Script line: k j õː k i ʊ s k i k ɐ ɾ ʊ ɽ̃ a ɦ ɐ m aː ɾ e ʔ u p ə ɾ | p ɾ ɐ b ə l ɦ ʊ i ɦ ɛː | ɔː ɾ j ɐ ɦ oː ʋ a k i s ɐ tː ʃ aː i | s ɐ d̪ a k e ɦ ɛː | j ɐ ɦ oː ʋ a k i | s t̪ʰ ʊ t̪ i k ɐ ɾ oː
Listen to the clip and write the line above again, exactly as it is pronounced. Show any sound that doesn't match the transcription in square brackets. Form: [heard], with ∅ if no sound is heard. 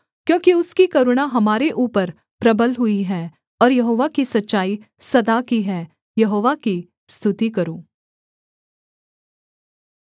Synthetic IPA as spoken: k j õː k i ʊ s k i k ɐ ɾ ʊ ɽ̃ a ɦ ɐ m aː ɾ e ʔ [uː] p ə ɾ | p ɾ ɐ b ə l ɦ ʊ i ɦ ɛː | ɔː ɾ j ɐ ɦ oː ʋ a k i s ɐ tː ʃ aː i | s ɐ d̪ a k [i] ɦ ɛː | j ɐ ɦ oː ʋ a k i | s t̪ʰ ʊ t̪ i k ɐ ɾ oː